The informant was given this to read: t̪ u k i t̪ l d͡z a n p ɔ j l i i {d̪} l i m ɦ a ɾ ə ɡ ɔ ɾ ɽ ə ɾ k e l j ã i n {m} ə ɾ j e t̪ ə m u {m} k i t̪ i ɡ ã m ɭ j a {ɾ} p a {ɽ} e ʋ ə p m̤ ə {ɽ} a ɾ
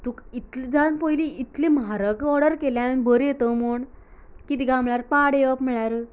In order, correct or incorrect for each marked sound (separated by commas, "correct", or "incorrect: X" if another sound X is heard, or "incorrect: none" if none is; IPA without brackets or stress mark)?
incorrect: t̪, incorrect: b, incorrect: ɳ, correct, correct, incorrect: ɭ